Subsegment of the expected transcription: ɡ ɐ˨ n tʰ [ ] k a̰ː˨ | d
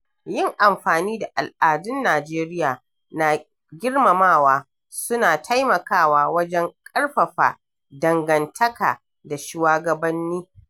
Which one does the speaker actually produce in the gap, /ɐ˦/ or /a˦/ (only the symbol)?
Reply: ɐ˦